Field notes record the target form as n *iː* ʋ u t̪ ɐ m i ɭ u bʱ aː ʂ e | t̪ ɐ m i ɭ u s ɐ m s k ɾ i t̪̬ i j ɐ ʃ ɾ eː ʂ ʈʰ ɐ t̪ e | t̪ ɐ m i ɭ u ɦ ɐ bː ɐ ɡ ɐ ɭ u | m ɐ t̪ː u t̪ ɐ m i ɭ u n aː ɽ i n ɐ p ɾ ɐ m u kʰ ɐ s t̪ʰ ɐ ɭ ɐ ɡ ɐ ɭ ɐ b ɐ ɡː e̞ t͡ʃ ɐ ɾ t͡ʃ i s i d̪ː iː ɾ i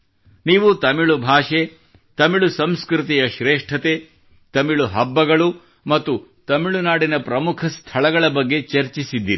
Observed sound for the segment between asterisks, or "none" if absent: iː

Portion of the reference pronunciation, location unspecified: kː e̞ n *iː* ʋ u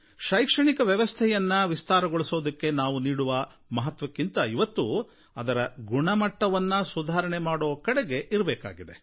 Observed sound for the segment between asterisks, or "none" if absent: aː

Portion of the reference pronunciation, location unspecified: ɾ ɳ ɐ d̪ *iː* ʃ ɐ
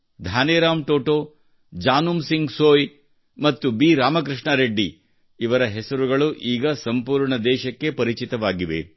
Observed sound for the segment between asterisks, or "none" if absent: ɛː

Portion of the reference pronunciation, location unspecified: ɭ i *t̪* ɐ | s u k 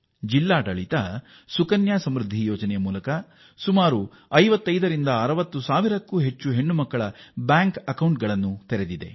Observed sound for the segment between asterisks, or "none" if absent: t̪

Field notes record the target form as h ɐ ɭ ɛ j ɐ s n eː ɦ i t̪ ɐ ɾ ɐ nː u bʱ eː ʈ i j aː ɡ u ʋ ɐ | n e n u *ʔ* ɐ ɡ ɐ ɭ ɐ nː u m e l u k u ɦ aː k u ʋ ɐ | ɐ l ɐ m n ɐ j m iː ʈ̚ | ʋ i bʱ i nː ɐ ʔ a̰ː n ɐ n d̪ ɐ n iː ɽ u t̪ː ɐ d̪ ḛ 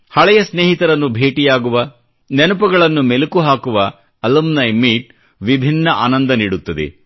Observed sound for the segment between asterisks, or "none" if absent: p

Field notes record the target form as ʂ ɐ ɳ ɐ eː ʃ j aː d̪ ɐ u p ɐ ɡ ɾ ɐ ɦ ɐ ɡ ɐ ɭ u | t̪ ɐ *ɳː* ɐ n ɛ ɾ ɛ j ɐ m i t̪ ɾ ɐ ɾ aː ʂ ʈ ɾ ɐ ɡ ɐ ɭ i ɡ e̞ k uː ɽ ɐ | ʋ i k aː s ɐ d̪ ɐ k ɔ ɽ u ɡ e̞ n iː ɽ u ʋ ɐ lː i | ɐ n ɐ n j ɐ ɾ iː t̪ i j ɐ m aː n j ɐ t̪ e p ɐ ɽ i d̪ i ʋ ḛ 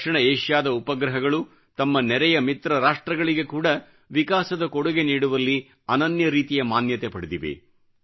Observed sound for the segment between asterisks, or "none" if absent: mː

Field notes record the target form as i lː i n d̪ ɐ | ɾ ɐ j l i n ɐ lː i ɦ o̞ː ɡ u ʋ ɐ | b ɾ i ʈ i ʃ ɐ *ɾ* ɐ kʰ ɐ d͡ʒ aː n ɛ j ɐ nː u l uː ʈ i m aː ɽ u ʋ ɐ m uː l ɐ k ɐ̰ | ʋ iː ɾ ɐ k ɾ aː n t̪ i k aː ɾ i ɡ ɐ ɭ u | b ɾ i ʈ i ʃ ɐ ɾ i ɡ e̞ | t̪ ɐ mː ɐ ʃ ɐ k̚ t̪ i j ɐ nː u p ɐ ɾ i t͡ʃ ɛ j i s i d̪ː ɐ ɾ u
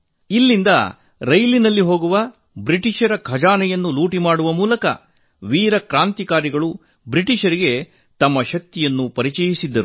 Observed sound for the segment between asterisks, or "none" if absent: ɾ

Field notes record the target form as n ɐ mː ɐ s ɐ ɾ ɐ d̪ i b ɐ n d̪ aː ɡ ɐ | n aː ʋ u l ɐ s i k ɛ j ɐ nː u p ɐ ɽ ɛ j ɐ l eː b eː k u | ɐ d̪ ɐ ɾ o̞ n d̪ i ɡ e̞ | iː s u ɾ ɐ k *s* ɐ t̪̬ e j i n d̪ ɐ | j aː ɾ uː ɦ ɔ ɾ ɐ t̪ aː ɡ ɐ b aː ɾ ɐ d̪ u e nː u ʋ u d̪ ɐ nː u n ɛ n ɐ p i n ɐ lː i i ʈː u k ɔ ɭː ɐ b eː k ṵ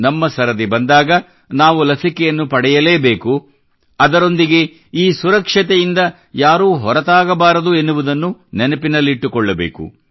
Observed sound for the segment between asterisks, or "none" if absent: ʂ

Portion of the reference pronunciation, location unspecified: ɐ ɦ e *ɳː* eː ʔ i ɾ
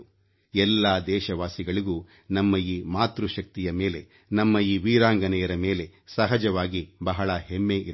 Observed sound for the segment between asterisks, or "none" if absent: mː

